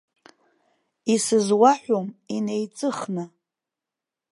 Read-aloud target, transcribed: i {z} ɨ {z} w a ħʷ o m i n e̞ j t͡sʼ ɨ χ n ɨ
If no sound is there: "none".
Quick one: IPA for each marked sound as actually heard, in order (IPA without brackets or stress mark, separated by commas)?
s, z